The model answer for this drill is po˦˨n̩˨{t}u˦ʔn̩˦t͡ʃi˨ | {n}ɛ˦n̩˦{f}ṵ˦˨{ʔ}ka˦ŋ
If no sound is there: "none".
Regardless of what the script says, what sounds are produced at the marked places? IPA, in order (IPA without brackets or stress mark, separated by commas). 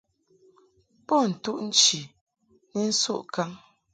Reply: t, n, s, ʔ